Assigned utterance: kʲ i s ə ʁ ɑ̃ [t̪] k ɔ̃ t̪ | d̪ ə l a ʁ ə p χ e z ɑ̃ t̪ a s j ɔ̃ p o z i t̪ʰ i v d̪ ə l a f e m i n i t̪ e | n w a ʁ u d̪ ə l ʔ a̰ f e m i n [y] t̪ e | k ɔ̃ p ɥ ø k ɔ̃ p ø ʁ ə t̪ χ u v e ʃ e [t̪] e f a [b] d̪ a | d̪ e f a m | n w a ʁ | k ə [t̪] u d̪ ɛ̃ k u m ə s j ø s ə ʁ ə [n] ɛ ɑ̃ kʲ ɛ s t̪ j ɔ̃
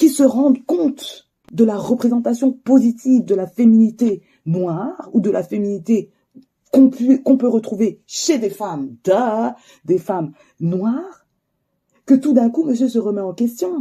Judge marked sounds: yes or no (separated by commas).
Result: no, no, no, no, yes, no